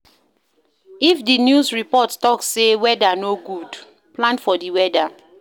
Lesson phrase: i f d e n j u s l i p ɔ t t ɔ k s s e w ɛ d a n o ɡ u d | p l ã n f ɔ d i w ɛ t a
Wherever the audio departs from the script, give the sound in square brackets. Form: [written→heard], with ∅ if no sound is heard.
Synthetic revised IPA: i f d [e→i] n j u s [l→ɹ] i p ɔ t t ɔ k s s e w ɛ d a n o ɡ u d | p l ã n f ɔ d i w ɛ [t→d] a